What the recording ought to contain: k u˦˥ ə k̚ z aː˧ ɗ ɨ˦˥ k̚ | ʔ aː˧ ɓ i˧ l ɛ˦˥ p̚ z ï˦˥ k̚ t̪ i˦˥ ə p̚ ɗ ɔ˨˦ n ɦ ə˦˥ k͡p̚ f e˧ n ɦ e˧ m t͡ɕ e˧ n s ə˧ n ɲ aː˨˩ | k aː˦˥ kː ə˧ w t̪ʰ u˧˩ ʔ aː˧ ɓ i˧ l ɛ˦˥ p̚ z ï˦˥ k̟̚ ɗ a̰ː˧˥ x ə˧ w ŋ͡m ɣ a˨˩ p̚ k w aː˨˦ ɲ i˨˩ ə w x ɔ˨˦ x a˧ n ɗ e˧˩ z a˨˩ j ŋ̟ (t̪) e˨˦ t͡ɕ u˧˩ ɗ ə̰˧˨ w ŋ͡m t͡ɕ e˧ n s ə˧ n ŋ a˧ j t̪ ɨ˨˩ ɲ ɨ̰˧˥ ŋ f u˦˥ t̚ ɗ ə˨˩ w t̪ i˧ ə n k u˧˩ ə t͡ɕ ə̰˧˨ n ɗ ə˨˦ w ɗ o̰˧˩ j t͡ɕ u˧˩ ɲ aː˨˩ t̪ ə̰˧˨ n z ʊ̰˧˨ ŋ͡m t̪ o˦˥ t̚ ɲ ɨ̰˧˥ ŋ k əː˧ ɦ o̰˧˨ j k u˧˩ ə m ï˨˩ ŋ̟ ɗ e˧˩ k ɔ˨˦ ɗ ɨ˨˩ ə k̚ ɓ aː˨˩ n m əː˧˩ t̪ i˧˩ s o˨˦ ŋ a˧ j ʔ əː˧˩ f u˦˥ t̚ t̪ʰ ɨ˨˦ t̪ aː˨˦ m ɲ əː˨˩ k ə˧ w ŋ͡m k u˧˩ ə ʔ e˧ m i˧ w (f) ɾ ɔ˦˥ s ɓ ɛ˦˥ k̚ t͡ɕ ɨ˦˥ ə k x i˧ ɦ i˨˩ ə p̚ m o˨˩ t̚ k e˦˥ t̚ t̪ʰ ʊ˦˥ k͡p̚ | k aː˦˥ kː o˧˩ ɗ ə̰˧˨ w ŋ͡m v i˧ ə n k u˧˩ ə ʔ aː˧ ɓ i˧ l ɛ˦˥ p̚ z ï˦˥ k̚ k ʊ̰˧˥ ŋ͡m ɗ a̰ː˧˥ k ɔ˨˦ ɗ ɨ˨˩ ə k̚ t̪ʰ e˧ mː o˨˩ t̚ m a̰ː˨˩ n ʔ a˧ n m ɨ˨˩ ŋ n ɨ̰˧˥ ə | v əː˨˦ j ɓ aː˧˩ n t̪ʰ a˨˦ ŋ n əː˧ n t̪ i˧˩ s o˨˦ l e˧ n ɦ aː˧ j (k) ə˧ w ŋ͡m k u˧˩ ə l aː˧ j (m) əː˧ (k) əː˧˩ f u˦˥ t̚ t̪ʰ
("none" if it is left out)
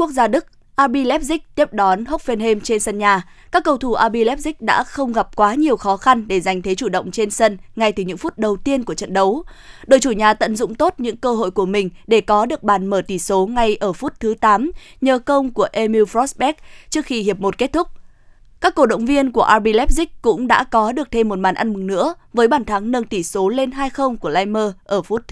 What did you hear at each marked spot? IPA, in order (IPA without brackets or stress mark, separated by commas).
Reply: t̪ʰ, f, x, m, ʔ